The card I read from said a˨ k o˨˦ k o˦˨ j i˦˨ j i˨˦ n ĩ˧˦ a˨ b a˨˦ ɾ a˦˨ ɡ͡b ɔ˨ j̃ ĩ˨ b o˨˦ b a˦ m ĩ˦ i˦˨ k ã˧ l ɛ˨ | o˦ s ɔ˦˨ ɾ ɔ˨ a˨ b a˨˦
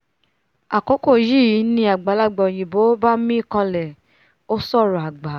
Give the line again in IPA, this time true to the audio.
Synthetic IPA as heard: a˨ k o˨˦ k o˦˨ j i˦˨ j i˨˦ n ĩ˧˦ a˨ ɡ͡b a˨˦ l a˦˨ ɡ͡b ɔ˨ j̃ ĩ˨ b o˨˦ b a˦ m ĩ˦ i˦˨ k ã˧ l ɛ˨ | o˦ s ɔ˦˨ ɾ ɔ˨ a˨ ɡ͡b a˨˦

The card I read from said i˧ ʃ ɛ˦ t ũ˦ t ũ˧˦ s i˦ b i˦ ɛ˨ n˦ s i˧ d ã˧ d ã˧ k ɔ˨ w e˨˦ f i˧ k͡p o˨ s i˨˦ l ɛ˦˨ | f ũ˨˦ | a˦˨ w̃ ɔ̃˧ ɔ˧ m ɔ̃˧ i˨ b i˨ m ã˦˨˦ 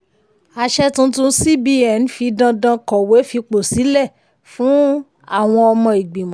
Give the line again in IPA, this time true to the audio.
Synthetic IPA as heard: a˧ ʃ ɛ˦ t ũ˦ t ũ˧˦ s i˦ b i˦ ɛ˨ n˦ f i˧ d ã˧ d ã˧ k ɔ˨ w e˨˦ f i˧ k͡p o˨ s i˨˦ l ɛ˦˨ | f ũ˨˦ | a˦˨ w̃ ɔ̃˧ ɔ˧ m ɔ̃˧ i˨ ɡ͡b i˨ m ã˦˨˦

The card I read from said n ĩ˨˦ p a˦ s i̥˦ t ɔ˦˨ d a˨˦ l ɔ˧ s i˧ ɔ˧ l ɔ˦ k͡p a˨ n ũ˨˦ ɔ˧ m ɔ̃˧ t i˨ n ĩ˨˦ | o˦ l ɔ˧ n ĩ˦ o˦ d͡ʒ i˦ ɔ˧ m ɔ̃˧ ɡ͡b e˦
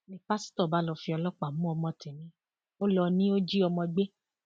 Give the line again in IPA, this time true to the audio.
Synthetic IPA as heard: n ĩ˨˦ p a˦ s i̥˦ t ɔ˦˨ b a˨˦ l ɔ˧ f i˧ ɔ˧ l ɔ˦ k͡p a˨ m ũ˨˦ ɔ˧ m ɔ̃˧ t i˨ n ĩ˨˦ | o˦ l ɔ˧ n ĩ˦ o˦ d͡ʒ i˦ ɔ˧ m ɔ̃˧ ɡ͡b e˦

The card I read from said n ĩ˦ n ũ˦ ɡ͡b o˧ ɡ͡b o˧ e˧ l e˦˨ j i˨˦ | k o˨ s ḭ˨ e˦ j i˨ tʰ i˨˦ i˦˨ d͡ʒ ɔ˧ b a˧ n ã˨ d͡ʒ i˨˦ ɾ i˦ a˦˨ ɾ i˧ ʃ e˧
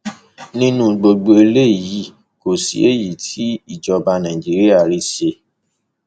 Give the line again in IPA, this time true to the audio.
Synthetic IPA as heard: n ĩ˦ n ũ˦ ɡ͡b o˧ ɡ͡b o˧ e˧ l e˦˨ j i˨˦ | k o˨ s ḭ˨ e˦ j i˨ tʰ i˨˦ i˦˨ d͡ʒ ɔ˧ b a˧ n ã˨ d͡ʒ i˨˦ ɾ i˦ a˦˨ ɾ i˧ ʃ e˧

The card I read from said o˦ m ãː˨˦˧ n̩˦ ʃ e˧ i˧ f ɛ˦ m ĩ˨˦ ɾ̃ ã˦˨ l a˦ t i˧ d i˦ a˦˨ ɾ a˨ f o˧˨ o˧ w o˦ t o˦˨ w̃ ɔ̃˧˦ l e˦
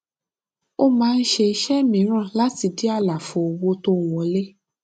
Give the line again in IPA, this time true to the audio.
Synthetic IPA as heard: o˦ m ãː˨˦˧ n̩˦ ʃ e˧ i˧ ʃ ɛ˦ m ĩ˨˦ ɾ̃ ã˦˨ l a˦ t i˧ d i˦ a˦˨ l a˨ f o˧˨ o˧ w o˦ t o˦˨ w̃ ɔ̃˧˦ l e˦

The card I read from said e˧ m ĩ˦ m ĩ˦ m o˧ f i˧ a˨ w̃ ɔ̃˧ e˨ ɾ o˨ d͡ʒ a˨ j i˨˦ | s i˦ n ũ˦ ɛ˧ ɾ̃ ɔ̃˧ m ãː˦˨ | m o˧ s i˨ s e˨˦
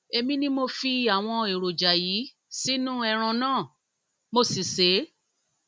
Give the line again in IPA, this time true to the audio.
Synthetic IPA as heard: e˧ m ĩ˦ n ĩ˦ m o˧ f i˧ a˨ w̃ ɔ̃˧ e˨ ɾ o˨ d͡ʒ a˨ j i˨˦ | s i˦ n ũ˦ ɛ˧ ɾ̃ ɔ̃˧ n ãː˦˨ | m o˧ s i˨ s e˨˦

